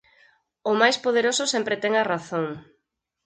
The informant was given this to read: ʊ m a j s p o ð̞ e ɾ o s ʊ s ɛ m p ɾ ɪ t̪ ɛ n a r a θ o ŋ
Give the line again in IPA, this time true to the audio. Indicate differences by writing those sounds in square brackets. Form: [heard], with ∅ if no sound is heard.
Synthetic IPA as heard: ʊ m a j s p o ð̞ e ɾ o s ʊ s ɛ m p ɾ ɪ t̪ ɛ [ŋ] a r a θ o ŋ